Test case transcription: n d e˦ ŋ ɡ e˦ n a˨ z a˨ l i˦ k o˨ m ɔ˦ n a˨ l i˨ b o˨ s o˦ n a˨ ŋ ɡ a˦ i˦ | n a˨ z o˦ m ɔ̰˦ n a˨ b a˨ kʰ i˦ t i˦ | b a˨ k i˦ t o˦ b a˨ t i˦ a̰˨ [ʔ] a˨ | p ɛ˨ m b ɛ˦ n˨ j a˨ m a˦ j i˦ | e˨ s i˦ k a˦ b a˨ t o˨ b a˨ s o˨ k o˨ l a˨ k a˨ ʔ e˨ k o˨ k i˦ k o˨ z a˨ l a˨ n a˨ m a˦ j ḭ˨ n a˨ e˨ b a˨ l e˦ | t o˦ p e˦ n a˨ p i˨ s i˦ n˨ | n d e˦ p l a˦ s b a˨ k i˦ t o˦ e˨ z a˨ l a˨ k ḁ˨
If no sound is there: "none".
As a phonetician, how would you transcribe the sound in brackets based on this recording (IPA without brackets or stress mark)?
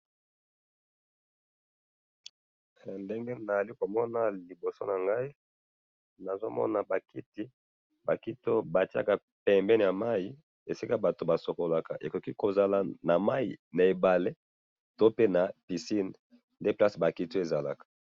k